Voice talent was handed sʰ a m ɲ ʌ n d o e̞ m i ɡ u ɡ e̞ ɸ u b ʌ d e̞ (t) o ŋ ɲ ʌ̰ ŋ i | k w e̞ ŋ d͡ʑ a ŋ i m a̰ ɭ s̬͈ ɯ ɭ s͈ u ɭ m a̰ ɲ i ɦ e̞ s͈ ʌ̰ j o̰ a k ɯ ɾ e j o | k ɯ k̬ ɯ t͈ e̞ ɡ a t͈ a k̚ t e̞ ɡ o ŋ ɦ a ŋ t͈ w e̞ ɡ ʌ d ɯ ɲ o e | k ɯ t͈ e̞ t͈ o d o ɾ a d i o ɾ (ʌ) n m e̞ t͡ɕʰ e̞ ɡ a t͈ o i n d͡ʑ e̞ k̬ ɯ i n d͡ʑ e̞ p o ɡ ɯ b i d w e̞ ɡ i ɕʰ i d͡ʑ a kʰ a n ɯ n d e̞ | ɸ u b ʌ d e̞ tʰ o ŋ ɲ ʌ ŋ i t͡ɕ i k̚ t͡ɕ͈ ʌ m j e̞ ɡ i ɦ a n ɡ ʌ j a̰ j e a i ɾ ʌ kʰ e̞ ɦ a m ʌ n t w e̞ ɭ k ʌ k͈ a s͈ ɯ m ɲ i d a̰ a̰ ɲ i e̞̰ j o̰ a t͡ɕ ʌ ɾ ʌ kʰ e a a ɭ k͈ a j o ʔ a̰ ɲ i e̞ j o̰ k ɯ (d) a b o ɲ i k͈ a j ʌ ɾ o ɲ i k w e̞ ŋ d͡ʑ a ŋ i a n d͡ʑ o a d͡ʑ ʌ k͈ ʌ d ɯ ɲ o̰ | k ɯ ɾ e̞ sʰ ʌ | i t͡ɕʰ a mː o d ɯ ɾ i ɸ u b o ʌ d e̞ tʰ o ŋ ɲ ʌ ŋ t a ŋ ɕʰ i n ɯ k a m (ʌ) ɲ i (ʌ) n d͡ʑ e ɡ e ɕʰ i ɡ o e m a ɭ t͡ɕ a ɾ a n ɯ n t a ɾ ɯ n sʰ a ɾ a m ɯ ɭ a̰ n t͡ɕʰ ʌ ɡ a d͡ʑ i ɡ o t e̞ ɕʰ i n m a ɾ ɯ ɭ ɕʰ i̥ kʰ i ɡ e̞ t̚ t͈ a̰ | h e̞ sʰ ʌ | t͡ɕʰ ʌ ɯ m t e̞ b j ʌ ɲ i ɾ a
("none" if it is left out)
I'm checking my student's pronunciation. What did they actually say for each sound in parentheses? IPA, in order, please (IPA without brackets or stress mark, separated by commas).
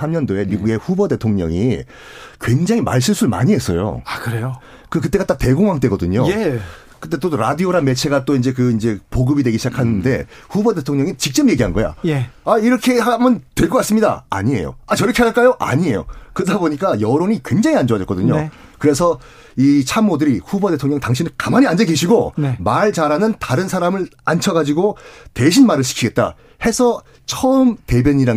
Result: tʰ, a, d, a, a